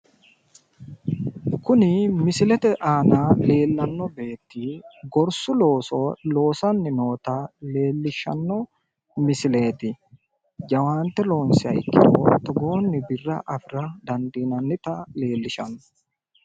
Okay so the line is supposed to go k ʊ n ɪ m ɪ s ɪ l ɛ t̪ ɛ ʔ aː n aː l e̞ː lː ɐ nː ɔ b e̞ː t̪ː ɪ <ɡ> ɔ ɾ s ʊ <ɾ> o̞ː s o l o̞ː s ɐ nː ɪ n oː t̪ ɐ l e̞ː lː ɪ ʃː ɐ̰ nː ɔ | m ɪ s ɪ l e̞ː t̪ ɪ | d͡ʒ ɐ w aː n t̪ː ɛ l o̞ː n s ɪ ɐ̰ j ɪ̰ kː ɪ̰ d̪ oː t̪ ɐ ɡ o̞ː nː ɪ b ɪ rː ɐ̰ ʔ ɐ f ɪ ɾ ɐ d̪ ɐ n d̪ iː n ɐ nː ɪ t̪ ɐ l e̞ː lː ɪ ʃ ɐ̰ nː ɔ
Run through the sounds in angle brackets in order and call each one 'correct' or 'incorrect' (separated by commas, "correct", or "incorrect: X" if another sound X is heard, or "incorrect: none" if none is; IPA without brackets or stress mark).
correct, incorrect: l